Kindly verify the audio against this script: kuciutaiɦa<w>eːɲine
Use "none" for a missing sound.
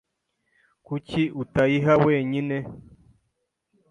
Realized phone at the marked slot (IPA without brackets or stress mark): w